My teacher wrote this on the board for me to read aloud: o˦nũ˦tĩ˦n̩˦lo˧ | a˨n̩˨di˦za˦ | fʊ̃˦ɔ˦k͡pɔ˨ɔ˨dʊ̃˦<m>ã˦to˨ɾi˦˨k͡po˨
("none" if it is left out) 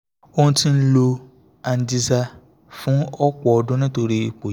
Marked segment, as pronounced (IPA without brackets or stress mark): n